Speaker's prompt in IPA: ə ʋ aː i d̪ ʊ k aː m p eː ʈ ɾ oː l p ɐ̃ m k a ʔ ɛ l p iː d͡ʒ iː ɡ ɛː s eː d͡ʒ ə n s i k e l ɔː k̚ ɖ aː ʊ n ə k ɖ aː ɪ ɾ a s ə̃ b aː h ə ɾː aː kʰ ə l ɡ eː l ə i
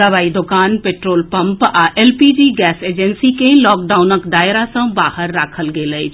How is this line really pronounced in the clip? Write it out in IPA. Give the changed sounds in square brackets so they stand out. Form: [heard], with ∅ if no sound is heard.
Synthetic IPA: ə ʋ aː i d̪ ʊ k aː [n] p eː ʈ ɾ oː l p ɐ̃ m [p] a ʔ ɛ l p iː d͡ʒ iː ɡ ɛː s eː d͡ʒ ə n s i k e l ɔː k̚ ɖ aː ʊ n ə k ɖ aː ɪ ɾ a s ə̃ b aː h ə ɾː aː kʰ ə l ɡ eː l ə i

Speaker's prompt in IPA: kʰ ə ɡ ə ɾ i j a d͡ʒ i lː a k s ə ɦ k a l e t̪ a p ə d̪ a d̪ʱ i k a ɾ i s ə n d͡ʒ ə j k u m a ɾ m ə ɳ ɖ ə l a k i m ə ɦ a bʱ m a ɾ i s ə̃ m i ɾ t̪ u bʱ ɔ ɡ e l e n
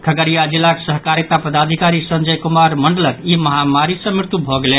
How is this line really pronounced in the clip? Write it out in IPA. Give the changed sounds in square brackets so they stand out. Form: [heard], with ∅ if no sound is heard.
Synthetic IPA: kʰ ə ɡ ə ɾ i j a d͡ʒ i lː a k s ə ɦ k a [ɾ] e t̪ a p ə d̪ a d̪ʱ i k a ɾ i s ə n d͡ʒ ə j k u m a ɾ m ə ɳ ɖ ə l [ə] k i m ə ɦ a [∅] m a ɾ i s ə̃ m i ɾ t̪ u bʱ ɔ ɡ e l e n

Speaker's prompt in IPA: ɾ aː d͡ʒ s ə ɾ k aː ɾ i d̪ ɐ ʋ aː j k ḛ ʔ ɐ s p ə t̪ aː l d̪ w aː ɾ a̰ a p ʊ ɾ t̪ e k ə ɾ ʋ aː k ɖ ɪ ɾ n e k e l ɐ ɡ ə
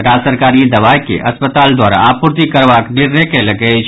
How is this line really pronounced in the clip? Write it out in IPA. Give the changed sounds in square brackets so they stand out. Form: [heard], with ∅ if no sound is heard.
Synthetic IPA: ɾ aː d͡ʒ s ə ɾ k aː ɾ i d̪ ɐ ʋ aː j k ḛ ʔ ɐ s p ə t̪ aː l d̪ w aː ɾ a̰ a p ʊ ɾ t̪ [i] k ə ɾ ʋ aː k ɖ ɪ ɾ n e k e l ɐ ɡ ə

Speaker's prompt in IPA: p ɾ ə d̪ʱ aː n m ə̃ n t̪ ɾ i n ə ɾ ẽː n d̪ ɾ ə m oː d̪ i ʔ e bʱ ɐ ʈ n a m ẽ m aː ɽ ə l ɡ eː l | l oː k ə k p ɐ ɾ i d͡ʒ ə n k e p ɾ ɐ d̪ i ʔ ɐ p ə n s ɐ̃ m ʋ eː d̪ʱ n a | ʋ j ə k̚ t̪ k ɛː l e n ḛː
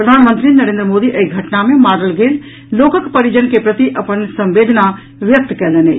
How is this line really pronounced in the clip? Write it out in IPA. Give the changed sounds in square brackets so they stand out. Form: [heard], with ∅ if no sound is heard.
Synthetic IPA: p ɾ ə d̪ʱ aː n m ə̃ n t̪ ɾ i n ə ɾ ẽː n d̪ ɾ ə m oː d̪ i ʔ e [ɡʱ] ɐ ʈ n a m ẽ m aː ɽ ə l ɡ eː l | l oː k ə k p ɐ ɾ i d͡ʒ ə n k e p ɾ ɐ [t̪] i ʔ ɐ p ə n s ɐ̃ m ʋ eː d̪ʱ n a | ʋ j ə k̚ t̪ k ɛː l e n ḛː

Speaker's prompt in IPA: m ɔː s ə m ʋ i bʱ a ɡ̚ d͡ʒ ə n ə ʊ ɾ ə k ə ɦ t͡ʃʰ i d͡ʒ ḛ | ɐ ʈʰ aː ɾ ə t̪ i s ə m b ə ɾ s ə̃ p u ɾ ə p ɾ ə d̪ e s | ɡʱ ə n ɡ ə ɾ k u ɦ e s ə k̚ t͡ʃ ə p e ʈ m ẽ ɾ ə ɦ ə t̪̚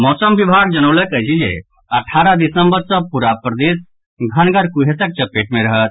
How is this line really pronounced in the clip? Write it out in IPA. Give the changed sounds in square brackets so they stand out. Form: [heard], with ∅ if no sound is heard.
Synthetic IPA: m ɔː s ə m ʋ i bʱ a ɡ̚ d͡ʒ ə n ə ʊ [l] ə k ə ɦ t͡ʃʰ i d͡ʒ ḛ | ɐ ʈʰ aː ɾ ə [d̪] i s ə m b ə ɾ s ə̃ p u ɾ [a] p ɾ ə d̪ e s | ɡʱ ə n ɡ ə ɾ k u ɦ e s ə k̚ t͡ʃ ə p e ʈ m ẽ ɾ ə ɦ ə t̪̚

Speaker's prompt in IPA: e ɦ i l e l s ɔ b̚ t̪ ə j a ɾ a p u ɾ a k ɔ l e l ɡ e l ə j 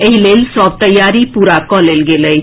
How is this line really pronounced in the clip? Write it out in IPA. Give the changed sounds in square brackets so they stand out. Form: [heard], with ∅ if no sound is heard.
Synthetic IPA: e ɦ i l e l s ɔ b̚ t̪ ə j a ɾ [i] p u ɾ a k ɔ l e l ɡ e l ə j

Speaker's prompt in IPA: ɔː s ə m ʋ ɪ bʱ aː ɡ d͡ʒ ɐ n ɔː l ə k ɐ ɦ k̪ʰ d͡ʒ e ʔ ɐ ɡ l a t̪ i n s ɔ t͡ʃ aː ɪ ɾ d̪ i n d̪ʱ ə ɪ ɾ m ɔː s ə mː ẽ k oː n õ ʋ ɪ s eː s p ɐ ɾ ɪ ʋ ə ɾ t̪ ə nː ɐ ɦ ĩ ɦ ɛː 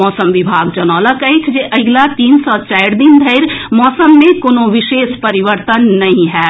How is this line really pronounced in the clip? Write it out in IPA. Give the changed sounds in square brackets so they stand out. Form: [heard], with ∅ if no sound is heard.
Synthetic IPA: ɔː s ə m ʋ ɪ bʱ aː ɡ d͡ʒ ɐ n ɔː l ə k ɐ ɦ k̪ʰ d͡ʒ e ʔ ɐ ɡ l a t̪ [iː] n s ɔ t͡ʃ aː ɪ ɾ d̪ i n d̪ʱ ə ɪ ɾ m ɔː s ə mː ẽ k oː n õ ʋ ɪ [ʃ] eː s p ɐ ɾ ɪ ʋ ə ɾ t̪ ə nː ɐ ɦ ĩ ɦ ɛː

